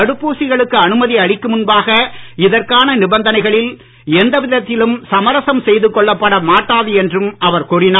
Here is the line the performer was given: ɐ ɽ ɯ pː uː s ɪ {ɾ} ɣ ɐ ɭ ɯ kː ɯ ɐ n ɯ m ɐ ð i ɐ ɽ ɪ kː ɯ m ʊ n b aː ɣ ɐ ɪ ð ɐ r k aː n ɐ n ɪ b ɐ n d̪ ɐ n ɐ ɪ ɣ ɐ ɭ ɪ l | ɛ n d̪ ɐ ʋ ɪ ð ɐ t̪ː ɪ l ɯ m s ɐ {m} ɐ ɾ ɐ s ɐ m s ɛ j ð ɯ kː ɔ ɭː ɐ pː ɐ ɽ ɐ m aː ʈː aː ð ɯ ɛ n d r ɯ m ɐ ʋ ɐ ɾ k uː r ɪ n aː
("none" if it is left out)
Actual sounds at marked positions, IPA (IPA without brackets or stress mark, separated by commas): none, m